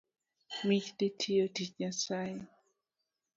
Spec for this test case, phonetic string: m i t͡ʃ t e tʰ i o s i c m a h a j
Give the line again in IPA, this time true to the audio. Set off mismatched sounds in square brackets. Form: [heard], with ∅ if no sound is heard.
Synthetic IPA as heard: m i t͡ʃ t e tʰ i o [t] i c [ɲ] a [s] a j